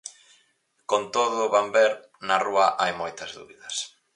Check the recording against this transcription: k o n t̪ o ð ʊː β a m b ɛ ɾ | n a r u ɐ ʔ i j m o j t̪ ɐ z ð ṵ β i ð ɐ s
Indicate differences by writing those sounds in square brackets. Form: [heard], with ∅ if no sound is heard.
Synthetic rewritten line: k o n t̪ o ð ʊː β a m b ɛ ɾ | n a r u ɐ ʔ [a] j m o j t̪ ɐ z ð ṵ β i ð ɐ s